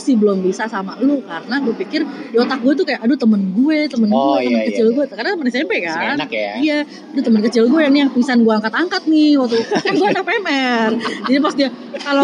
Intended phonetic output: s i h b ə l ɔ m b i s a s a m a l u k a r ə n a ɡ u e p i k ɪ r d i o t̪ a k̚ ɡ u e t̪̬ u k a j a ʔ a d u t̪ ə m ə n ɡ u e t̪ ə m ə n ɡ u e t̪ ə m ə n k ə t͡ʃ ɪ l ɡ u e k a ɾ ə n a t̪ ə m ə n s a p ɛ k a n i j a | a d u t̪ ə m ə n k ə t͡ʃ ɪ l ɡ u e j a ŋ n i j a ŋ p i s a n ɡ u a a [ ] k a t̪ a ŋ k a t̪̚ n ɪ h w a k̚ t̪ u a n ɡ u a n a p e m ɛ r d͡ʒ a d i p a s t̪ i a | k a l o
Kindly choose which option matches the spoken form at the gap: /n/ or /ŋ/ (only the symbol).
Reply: ŋ